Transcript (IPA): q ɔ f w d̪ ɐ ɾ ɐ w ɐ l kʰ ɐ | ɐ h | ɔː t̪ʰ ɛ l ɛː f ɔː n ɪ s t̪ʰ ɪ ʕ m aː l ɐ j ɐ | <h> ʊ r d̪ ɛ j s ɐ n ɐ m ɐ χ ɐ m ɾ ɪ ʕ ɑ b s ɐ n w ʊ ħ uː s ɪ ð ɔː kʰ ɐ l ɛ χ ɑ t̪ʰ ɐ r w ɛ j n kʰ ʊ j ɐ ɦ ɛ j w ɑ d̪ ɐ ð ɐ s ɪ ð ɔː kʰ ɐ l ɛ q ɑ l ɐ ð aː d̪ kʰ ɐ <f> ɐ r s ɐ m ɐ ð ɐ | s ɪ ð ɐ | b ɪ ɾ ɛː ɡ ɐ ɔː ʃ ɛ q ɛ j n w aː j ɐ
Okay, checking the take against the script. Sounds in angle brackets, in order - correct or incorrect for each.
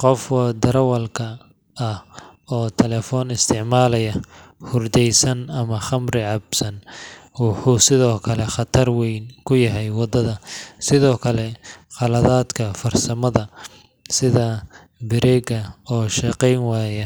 correct, correct

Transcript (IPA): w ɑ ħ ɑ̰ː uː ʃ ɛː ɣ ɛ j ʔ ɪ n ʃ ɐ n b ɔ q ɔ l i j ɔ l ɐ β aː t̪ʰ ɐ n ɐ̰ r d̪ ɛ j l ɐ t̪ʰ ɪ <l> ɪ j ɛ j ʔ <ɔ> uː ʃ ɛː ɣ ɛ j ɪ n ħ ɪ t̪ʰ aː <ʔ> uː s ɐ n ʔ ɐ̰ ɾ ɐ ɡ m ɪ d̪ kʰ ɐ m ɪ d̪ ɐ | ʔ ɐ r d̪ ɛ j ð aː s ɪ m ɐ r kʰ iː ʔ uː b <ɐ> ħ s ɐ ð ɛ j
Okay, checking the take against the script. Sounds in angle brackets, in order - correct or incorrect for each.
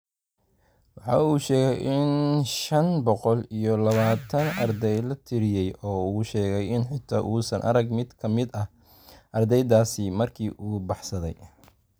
incorrect: ɾ, incorrect: ɔː, correct, incorrect: ɑ

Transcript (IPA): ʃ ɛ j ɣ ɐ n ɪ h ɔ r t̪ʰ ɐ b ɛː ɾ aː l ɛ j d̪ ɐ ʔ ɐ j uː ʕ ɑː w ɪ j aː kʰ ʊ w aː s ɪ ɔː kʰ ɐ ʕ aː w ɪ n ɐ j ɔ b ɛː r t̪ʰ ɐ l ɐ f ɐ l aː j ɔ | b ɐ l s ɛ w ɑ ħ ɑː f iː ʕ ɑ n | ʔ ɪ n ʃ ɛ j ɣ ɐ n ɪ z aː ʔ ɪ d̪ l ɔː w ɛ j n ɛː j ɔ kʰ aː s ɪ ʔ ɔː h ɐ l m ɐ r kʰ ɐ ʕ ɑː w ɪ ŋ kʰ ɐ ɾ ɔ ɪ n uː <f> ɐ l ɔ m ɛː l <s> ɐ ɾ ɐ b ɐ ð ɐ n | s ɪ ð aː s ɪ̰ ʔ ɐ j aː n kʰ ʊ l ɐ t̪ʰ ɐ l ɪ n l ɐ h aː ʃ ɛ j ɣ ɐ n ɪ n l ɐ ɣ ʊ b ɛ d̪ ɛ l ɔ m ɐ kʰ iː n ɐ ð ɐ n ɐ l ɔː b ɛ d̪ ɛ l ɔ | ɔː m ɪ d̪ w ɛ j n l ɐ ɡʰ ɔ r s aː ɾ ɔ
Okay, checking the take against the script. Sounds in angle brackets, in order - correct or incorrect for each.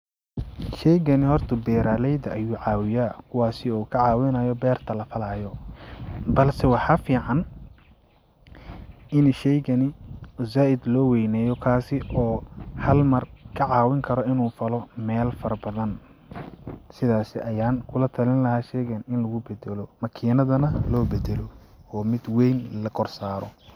correct, incorrect: f

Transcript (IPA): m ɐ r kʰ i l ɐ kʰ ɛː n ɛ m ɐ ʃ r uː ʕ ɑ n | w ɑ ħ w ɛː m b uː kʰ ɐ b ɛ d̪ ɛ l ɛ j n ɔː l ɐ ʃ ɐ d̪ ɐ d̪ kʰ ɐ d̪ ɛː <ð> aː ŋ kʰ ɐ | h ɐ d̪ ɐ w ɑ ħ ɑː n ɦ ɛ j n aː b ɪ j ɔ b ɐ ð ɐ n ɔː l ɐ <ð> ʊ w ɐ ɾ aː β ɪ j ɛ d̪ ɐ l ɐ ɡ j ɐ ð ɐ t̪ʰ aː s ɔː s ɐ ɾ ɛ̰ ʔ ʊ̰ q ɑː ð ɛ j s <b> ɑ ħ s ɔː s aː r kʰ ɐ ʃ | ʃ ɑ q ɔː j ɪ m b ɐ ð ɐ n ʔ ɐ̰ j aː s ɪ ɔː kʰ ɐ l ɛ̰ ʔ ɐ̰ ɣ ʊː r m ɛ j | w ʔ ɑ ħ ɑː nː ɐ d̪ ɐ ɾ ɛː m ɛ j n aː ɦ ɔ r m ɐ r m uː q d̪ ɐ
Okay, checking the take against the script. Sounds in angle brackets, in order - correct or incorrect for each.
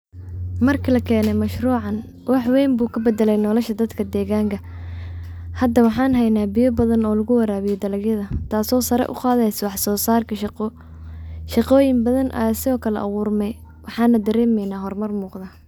incorrect: ɣ, incorrect: ɣ, incorrect: w

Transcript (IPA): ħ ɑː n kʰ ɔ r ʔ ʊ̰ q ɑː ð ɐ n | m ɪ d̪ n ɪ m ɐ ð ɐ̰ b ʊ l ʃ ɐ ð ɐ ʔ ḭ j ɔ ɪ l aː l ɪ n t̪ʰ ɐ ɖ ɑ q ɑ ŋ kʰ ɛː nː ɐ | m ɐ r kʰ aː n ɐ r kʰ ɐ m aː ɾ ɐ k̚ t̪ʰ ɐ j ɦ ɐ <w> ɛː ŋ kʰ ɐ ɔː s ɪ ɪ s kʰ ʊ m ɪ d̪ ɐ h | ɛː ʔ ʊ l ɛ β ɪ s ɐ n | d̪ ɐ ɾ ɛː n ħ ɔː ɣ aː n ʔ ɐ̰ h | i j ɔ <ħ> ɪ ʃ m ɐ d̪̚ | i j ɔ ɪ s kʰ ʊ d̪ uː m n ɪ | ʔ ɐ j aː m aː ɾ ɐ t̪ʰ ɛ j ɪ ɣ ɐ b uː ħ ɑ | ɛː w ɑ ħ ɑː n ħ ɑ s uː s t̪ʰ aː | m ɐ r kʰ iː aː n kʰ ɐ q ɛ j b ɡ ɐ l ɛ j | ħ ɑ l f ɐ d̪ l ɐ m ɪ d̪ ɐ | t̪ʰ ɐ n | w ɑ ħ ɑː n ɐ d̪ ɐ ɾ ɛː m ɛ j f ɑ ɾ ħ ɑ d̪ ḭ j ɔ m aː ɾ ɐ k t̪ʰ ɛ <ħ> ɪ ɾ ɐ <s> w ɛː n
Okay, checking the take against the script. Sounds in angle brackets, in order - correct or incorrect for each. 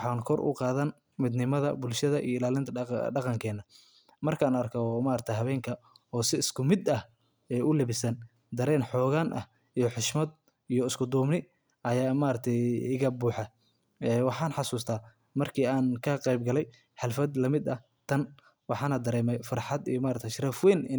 incorrect: β, correct, incorrect: ʃ, incorrect: f

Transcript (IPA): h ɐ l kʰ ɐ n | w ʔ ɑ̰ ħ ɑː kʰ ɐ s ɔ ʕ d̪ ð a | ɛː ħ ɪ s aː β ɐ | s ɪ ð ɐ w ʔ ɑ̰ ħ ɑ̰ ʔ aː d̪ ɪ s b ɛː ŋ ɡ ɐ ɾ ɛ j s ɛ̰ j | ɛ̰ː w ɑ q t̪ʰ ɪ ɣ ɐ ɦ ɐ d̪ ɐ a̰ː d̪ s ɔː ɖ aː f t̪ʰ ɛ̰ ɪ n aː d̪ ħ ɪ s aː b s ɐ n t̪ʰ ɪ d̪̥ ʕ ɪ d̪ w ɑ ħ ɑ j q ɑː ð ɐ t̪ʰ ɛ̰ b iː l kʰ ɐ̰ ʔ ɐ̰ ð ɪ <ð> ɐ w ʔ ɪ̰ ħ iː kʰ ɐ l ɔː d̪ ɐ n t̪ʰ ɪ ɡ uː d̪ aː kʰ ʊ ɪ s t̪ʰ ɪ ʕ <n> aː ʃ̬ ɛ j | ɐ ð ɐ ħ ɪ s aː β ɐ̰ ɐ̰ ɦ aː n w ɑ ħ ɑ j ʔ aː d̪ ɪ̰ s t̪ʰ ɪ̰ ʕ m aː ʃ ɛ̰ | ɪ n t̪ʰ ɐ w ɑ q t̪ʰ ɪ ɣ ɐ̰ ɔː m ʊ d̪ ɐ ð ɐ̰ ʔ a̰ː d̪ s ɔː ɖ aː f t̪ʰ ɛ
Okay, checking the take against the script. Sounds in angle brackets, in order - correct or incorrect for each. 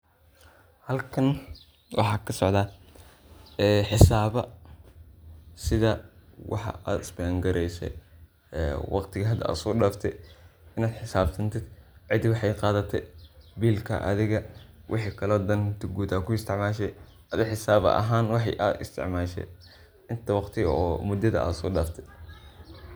incorrect: ɣ, incorrect: m

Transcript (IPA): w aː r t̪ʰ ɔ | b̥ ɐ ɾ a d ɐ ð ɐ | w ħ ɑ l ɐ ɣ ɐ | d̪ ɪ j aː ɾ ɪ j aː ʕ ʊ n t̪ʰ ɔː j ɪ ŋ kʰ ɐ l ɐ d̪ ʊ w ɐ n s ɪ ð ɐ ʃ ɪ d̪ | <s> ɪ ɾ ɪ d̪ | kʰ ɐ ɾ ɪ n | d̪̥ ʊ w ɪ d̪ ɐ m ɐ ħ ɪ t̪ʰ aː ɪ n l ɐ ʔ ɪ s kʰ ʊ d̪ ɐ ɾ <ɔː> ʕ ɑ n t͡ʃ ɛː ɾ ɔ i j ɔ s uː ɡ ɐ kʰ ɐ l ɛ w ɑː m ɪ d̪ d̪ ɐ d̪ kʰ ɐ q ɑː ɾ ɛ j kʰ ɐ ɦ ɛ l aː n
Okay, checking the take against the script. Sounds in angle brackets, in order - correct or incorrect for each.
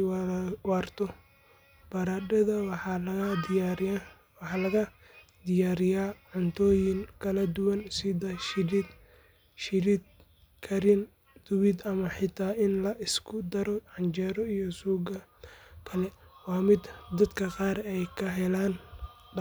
incorrect: ʃ, incorrect: ɔ

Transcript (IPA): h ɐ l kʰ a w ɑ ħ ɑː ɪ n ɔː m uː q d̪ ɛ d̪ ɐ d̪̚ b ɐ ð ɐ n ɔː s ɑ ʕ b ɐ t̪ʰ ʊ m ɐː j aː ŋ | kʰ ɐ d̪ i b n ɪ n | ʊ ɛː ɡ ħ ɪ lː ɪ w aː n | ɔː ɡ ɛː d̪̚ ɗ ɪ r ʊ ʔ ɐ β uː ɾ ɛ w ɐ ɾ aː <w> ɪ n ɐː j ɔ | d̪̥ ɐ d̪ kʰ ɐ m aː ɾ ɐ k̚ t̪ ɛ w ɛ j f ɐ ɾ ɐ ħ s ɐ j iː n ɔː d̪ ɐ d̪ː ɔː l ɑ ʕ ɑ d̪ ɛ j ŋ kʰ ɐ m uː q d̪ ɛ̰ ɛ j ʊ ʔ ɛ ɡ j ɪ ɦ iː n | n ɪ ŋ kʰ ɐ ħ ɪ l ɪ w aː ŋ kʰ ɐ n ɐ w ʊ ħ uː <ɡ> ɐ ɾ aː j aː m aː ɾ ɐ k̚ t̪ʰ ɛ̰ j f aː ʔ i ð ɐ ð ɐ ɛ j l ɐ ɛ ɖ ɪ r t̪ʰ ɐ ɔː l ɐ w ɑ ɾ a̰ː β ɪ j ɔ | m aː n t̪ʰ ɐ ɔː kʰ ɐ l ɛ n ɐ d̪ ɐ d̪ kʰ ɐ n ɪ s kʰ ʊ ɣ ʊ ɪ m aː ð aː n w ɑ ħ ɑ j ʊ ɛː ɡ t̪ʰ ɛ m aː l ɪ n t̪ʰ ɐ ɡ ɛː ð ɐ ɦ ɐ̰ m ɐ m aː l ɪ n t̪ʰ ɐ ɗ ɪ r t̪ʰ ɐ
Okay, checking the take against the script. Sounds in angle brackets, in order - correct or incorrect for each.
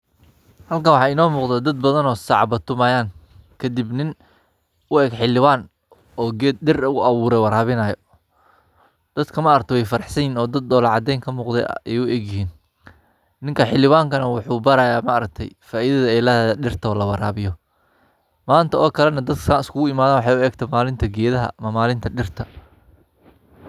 incorrect: β, incorrect: b

